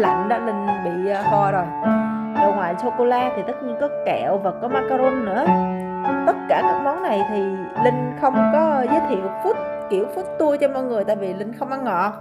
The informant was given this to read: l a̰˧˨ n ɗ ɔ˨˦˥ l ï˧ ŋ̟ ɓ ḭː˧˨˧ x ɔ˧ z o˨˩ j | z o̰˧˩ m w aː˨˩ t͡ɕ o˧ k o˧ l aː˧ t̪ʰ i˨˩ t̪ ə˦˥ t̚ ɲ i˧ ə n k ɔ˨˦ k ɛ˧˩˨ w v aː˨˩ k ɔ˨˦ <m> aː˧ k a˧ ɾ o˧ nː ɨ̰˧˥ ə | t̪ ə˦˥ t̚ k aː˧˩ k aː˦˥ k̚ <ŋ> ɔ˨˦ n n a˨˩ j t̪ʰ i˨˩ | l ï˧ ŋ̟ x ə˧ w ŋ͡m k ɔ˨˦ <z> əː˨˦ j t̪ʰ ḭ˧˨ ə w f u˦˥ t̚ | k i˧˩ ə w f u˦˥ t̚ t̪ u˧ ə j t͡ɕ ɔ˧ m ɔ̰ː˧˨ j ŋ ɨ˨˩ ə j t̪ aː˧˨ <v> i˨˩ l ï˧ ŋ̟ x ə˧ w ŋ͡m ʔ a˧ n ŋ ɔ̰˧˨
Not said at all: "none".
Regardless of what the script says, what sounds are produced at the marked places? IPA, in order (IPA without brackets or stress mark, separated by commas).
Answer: m, m, z, v